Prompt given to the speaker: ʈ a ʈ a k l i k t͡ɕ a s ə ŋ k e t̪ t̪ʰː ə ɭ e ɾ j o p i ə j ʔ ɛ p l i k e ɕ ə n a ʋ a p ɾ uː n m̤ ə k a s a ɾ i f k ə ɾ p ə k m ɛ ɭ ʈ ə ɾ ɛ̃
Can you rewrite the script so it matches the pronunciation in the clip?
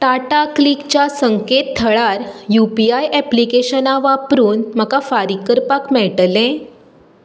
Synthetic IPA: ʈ a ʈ a k l i k t͡ɕ a s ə ŋ k e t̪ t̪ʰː ə ɭ a ɾ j u p i a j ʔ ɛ p l i k e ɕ ə n a ʋ a p ɾ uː n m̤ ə k a f a ɾ i k ə ɾ p a k m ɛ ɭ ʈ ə l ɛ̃